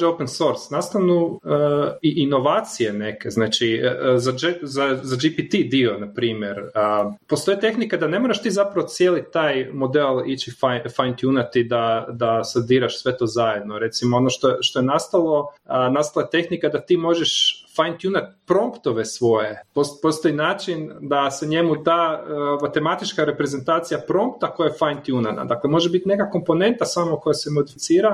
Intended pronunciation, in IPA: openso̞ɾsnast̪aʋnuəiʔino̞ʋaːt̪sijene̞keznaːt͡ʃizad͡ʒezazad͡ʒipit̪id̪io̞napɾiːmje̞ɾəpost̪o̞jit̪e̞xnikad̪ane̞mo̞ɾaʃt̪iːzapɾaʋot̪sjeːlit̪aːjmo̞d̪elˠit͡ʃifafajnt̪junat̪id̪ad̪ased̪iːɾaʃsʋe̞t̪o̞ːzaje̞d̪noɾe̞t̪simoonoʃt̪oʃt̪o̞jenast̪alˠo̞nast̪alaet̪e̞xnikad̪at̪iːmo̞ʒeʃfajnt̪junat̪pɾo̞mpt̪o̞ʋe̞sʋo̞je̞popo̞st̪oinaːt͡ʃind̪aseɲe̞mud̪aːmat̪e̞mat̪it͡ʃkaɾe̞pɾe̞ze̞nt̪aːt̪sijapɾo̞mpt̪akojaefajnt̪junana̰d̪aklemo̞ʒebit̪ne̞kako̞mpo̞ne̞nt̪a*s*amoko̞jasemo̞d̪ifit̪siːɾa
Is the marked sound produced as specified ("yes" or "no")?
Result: yes